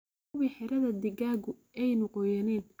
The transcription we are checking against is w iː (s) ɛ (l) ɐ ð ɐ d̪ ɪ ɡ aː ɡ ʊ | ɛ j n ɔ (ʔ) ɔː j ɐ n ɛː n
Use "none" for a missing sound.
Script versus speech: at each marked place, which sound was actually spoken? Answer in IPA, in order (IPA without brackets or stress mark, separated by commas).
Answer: ħ, ɾ, q